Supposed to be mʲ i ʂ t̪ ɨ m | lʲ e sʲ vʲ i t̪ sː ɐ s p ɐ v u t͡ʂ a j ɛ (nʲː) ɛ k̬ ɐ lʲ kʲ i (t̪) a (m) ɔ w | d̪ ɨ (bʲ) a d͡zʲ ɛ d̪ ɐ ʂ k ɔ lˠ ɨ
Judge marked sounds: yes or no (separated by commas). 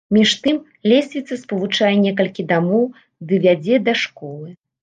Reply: no, no, yes, no